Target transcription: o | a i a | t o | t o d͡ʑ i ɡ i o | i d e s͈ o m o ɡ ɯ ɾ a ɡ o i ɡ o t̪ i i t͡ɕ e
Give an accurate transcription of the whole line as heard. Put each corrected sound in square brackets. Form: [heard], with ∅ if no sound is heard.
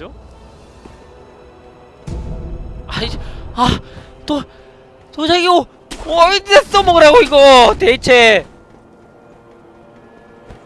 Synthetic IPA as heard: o | a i a | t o | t o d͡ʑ [a] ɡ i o | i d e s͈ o m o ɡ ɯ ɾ a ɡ o i ɡ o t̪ [e] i [t͡ɕʰ] e